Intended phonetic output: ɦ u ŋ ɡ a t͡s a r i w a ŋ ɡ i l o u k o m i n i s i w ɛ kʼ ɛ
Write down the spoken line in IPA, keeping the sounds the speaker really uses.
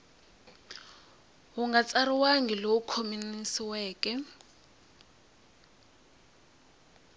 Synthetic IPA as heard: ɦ u ŋ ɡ a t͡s a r i w a ŋ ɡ i l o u kʰ o m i n i s i w ɛː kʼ ɛ